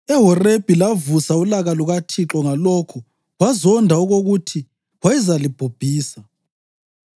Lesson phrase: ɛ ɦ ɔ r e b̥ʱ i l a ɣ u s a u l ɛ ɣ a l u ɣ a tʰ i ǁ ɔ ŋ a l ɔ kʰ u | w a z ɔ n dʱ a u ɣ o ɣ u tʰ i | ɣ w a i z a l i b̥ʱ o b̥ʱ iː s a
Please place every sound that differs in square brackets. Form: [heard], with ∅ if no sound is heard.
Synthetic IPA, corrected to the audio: ɛ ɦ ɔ r e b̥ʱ i l a [v] u s a u l [a] ɣ a l u ɣ a tʰ i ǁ ɔ ŋ a l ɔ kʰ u | w a z ɔ n dʱ a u ɣ o ɣ u tʰ i | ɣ w a i z a l i b̥ʱ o b̥ʱ iː s a